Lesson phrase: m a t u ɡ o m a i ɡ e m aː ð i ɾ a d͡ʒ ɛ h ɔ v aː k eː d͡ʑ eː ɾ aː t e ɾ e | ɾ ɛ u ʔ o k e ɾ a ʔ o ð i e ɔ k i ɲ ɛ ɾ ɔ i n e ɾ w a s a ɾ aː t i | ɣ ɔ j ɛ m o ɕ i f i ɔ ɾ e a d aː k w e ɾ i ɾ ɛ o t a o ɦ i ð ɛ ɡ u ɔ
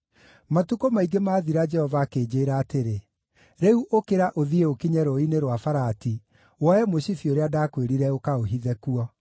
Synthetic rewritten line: m a t u k o m a i ɡ e m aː ð i ɾ a d͡ʒ ɛ h ɔ v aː k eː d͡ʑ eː ɾ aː t e ɾ e | ɾ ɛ u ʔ o k e ɾ a ʔ o ð i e o k i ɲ ɛ ɾ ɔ i n e ɾ w a f a ɾ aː t i | w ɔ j ɛ m o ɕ i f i o ɾ e a d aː k w e ɾ i ɾ ɛ o k a o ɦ i ð ɛ k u ɔ